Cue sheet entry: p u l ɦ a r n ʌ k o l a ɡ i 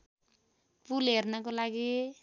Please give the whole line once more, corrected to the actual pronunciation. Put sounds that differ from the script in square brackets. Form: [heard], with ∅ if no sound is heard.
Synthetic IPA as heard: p u l ɦ [e] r n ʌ k o l a ɡ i